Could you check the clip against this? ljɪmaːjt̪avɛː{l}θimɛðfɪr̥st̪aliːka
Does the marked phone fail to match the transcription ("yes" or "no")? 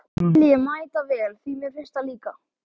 no